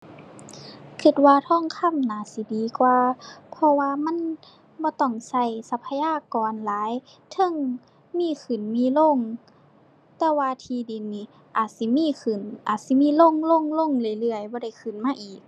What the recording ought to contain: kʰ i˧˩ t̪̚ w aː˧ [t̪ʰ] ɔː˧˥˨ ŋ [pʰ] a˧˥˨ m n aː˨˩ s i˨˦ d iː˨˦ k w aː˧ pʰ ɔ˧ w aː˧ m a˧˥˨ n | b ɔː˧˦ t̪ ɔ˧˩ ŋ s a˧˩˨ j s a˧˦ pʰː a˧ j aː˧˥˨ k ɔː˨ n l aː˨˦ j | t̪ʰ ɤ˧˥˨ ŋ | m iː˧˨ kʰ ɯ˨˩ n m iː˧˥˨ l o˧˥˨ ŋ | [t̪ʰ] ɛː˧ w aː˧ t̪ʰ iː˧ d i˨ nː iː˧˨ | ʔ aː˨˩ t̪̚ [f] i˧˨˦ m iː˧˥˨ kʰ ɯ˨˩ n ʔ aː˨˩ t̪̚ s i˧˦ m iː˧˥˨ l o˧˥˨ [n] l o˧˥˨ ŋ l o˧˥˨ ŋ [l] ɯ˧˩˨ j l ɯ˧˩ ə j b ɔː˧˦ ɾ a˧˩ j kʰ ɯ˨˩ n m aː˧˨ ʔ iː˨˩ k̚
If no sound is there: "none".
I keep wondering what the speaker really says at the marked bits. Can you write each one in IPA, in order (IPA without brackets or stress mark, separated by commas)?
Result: t̪ʰ, kʰ, t̪, s, ŋ, l